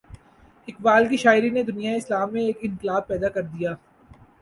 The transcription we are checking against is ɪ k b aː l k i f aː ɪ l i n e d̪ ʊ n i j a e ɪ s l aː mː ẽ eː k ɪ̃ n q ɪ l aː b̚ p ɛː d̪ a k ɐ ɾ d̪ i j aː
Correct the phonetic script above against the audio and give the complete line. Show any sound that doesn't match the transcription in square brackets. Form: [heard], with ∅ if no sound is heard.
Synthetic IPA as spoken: ɪ k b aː l k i [ʃ] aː ɪ [ɾ] i n e d̪ ʊ n i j a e ɪ s l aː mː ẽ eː k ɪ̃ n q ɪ l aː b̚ p ɛː d̪ a k ɐ ɾ d̪ i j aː